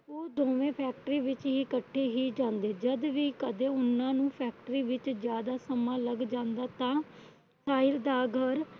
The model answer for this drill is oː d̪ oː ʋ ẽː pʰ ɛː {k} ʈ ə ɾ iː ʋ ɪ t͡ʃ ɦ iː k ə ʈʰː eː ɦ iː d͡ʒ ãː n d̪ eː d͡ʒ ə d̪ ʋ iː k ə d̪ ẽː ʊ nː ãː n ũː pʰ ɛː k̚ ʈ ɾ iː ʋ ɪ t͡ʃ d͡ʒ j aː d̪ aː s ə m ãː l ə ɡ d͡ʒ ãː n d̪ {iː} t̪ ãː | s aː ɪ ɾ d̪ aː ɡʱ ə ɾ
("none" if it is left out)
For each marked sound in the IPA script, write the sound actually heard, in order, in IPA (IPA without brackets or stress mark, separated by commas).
k, aː